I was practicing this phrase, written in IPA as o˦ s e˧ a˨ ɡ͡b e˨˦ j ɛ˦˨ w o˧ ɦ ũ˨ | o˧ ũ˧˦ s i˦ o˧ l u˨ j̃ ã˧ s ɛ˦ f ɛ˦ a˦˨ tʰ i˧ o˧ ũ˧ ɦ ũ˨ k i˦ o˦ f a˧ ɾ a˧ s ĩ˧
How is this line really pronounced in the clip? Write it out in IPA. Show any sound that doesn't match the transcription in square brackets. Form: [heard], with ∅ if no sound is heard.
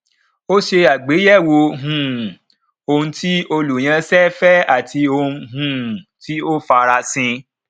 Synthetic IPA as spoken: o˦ [ʃ] e˧ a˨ ɡ͡b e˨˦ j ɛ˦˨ w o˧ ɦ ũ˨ | o˧ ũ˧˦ [t] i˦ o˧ l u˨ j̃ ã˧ s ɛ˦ f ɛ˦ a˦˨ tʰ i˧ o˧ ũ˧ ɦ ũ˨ [t] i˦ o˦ f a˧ ɾ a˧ s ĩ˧

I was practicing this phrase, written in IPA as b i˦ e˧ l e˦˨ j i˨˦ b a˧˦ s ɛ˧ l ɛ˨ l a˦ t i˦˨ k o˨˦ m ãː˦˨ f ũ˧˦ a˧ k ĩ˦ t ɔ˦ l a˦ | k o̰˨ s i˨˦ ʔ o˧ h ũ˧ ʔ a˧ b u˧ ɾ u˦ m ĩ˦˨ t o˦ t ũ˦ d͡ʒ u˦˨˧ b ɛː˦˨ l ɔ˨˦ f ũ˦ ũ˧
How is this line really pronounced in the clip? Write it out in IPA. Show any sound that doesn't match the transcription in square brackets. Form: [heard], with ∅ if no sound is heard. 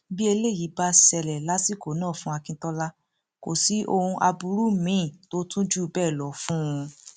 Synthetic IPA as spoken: b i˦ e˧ l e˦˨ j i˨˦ b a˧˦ s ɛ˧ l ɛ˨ l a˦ [s] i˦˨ k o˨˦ [n] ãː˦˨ f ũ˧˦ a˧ k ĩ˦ t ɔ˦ l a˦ | k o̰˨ s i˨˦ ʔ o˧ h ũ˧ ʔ a˧ b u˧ ɾ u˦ m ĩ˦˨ t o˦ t ũ˦ d͡ʒ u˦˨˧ b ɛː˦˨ l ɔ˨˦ f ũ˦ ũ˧

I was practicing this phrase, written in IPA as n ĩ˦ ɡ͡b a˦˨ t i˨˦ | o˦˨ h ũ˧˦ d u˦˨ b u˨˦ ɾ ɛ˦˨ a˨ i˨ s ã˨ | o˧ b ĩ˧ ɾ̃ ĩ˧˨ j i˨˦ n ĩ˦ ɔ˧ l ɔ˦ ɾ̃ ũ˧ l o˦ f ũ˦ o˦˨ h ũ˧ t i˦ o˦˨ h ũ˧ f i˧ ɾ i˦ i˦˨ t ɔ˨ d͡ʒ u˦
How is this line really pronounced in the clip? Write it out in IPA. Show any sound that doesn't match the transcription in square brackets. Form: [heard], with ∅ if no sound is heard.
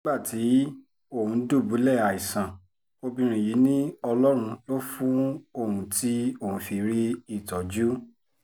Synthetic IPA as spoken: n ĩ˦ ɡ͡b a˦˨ t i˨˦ | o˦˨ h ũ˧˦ d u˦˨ b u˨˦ [l] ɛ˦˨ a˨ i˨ s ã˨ | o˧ b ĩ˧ ɾ̃ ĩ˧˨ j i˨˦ n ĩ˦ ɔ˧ l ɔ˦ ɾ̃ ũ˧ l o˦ f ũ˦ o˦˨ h ũ˧ t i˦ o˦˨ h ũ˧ f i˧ ɾ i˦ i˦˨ t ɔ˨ d͡ʒ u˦

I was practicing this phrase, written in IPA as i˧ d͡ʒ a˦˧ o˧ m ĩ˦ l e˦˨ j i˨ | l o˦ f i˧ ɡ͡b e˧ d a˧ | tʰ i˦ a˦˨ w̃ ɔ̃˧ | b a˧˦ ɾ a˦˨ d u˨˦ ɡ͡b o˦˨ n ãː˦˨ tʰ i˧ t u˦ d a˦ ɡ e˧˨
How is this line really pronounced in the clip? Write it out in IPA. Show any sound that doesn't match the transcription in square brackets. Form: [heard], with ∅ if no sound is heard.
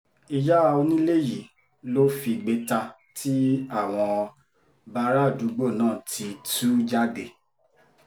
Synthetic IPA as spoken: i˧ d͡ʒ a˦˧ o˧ [n] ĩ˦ l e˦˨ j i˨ | l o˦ f i˧ ɡ͡b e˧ [t] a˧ | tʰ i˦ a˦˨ w̃ ɔ̃˧ | b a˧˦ ɾ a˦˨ d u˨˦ ɡ͡b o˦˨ n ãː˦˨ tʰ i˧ t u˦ [d͡ʒ] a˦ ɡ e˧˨

